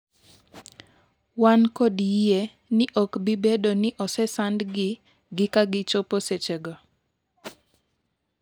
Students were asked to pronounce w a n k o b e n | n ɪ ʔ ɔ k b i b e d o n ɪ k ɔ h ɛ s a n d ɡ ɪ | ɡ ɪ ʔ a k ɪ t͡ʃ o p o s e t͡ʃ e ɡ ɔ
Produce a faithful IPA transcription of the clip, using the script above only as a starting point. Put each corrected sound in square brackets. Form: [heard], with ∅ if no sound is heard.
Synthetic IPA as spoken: w a n k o [d] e [∅] | n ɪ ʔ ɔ k b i b e d o n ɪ [ʔ] ɔ [s] ɛ s a n d ɡ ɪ | ɡ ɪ [k] a [ɡ] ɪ t͡ʃ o p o s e t͡ʃ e ɡ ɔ